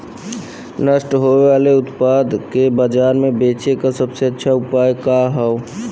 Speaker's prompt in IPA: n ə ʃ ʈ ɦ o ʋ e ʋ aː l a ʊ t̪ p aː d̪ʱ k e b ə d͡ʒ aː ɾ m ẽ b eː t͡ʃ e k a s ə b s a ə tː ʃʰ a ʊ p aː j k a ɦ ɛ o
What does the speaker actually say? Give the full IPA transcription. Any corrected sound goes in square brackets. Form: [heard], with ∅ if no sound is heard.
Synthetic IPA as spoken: n ə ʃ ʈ ɦ o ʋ e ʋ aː l [e] ʊ t̪ p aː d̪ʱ k e b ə d͡ʒ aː ɾ m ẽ b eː t͡ʃ e k a s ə b s [e] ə tː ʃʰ a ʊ p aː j k a ɦ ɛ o